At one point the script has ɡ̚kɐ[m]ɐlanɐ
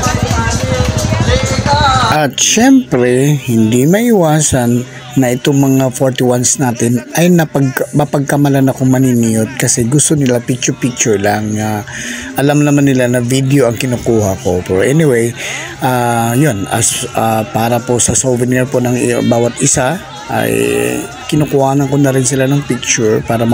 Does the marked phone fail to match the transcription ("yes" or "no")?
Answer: no